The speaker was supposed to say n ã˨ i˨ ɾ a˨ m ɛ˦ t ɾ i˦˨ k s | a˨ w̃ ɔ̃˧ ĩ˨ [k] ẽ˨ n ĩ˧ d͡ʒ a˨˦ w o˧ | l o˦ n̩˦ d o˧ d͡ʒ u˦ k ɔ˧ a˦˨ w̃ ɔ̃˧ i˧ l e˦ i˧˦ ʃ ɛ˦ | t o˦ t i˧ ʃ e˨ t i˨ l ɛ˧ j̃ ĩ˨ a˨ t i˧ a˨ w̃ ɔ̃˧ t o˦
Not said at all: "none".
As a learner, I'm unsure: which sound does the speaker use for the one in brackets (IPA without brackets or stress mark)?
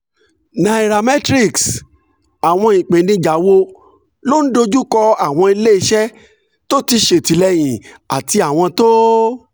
k͡p